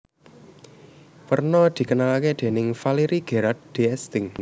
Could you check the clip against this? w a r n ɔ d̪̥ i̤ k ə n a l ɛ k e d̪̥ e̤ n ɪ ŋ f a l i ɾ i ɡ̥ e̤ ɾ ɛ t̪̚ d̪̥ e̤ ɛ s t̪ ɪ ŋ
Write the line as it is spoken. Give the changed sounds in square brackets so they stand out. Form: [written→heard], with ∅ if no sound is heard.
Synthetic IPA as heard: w [a→ə] r n ɔ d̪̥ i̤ k ə n a l [ɛ→a] k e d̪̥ e̤ n ɪ ŋ f a l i ɾ i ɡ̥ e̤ ɾ [ɛ→a] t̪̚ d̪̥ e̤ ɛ s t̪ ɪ ŋ